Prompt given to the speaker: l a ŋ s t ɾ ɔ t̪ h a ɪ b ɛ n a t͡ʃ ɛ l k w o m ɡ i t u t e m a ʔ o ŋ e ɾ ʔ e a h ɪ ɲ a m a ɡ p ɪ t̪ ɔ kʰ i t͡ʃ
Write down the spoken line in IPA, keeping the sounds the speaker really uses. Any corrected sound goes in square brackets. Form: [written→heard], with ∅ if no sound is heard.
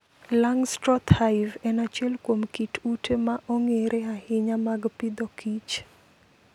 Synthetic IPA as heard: l a ŋ s t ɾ ɔ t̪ h a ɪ [b→v] ɛ n a t͡ʃ ɛ l k w o m [ɡ→k] i t u t e m a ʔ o ŋ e ɾ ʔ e a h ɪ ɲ a m a ɡ p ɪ [t̪→d̪] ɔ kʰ i t͡ʃ